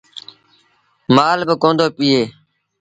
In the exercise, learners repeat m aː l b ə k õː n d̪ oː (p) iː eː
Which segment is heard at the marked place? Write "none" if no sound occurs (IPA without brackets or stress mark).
p